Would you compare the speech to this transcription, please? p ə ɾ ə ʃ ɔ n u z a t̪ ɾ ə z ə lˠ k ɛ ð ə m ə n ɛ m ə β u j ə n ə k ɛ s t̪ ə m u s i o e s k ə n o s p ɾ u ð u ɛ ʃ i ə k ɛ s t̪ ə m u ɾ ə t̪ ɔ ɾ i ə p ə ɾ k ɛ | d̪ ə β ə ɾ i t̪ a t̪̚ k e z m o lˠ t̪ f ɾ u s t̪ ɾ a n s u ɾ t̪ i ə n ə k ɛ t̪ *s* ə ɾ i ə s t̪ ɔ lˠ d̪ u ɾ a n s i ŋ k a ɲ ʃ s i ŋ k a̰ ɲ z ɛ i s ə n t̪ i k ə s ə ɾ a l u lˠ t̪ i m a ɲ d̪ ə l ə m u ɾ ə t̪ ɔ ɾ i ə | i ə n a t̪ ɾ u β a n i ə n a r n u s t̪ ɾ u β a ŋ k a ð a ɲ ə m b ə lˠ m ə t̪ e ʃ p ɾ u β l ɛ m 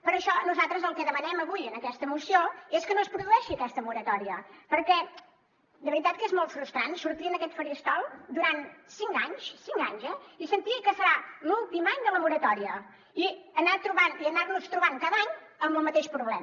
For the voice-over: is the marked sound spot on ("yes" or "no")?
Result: no